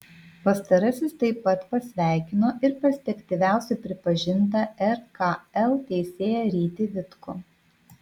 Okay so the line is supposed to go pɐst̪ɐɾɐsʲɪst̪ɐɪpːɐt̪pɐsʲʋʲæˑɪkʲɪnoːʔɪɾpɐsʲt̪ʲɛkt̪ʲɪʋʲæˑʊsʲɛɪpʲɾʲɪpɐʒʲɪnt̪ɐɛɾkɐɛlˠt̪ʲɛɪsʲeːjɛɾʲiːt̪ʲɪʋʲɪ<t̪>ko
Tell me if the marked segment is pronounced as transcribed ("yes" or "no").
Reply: yes